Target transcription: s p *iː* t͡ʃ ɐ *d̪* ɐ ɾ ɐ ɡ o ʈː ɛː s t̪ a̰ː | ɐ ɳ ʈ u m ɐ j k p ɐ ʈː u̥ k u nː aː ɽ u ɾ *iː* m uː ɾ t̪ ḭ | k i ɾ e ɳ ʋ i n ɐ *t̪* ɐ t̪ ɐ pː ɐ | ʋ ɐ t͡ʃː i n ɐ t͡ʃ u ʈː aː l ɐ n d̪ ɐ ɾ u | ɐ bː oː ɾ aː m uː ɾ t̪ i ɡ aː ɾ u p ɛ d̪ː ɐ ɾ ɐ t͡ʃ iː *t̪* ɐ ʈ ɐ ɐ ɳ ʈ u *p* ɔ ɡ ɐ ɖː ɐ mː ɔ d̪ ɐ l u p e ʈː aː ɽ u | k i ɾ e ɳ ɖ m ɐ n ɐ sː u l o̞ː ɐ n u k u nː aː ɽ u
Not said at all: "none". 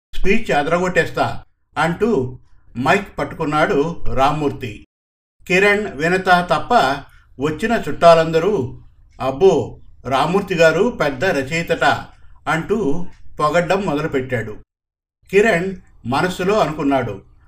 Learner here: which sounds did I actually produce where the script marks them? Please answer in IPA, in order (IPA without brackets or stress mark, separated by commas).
iː, d̪, aː, t̪, t̪, p